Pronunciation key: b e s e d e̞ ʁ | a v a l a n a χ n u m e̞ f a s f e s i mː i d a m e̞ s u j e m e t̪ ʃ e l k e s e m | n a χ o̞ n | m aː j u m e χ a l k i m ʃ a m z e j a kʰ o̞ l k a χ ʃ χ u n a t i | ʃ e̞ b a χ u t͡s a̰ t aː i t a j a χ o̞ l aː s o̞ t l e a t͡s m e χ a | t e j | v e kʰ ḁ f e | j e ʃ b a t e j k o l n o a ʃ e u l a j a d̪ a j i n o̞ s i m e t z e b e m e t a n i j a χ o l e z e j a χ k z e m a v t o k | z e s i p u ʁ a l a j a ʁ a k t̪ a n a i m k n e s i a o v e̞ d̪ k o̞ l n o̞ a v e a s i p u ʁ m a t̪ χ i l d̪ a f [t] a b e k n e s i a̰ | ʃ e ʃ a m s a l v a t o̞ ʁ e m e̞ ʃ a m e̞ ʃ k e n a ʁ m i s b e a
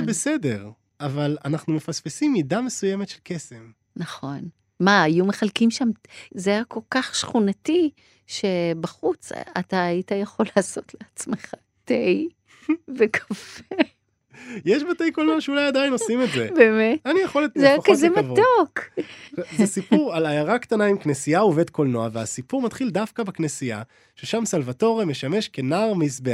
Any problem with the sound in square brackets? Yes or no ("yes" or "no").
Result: yes